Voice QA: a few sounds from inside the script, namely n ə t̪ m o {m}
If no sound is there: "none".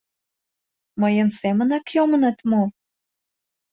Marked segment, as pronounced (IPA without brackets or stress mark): none